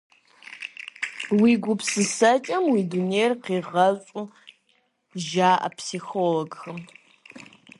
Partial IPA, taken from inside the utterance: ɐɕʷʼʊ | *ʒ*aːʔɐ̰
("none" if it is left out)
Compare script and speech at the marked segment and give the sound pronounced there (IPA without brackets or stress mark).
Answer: ʒ